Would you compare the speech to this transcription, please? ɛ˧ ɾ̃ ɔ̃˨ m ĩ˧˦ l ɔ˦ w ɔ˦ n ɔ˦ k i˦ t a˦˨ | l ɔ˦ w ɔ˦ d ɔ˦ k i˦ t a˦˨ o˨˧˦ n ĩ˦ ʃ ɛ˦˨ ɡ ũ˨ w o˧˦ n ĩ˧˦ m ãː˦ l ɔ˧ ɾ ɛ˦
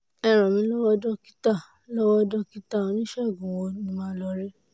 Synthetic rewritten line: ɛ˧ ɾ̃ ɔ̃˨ m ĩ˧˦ l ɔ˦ w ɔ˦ d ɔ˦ k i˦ t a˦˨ | l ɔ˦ w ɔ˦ d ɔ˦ k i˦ t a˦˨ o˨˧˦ n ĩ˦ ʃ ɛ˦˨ ɡ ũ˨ w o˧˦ n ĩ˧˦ m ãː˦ l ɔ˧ ɾ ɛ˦

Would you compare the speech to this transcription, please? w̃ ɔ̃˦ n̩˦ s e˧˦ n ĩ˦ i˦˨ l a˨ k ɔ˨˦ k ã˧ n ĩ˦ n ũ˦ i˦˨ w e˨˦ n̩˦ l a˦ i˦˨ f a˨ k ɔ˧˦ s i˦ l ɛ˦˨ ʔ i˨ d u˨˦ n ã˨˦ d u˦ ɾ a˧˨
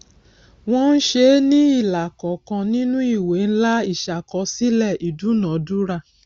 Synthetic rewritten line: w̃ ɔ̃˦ n̩˦ ʃ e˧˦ n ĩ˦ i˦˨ l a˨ k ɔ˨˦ k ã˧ n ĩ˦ n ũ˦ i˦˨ w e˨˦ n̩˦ l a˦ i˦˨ ʃ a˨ k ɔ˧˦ s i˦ l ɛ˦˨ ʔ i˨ d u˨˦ n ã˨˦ d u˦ ɾ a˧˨

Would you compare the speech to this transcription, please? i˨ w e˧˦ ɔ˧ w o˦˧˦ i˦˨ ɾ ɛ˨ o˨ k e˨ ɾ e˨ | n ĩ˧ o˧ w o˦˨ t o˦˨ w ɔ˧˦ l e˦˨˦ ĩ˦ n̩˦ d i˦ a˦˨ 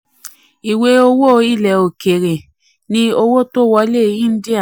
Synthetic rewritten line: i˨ w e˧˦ o˧ w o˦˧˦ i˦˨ l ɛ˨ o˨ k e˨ ɾ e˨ | n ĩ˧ o˧ w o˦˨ t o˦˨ w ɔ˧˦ l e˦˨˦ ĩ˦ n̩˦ d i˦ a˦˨

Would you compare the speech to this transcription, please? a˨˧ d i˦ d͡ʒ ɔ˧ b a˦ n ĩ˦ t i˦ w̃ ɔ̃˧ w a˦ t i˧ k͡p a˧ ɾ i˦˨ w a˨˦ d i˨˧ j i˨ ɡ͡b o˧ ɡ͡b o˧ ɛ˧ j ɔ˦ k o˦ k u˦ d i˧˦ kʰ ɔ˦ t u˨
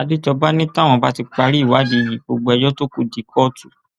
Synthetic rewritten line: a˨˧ d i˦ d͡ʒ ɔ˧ b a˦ n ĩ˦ t a˦ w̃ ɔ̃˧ b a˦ t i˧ k͡p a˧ ɾ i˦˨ w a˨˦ d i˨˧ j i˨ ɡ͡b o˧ ɡ͡b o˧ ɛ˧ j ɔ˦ t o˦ k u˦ d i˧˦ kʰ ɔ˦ t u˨

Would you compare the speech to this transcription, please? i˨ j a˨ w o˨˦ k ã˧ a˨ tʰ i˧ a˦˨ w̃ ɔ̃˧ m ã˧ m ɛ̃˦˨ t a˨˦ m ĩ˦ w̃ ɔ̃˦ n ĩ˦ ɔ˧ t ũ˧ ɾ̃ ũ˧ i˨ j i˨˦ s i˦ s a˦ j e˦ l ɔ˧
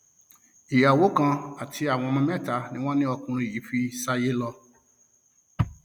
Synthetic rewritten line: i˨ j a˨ w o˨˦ k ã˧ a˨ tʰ i˧ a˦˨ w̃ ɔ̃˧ m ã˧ m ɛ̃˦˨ t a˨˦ n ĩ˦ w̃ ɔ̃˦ n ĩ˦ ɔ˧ k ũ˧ ɾ̃ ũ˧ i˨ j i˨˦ f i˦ s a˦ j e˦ l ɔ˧

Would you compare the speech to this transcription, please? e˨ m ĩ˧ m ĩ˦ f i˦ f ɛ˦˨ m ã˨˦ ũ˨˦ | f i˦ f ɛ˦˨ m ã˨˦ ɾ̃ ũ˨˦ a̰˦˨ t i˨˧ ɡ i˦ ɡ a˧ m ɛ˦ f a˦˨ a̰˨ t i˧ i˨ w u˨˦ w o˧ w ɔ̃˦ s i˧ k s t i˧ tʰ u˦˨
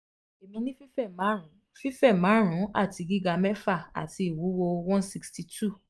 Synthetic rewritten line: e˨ m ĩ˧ n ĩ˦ f i˦ f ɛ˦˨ m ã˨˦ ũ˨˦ | f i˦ f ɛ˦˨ m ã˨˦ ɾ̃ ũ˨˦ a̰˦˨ t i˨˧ ɡ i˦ ɡ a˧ m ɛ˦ f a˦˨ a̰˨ t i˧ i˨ w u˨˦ w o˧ w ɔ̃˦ s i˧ k s t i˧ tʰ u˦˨

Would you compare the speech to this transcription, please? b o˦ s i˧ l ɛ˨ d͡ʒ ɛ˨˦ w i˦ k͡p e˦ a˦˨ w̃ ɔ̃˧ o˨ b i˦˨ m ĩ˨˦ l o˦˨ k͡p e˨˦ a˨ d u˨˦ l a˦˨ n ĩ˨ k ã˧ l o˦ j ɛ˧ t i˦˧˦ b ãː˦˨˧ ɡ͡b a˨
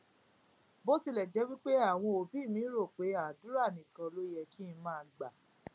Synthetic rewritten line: b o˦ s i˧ l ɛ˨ d͡ʒ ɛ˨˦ w i˦ k͡p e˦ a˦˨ w̃ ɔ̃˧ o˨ b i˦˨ m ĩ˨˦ ɾ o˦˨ k͡p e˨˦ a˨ d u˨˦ ɾ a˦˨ n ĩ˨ k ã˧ l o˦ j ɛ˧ k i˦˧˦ m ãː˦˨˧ ɡ͡b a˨

